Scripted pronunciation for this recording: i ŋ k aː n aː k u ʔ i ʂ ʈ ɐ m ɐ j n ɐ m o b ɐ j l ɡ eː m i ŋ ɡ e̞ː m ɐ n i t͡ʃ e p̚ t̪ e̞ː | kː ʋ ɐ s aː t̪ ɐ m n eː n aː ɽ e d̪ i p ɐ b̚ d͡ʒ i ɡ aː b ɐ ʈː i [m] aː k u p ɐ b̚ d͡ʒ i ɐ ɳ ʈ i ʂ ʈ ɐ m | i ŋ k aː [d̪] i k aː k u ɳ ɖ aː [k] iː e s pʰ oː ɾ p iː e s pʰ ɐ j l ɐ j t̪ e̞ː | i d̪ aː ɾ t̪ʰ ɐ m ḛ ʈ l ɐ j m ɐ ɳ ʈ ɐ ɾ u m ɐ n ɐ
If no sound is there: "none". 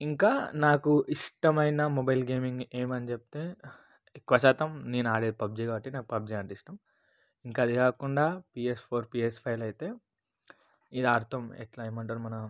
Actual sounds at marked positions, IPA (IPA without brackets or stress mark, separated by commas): n, d̪, p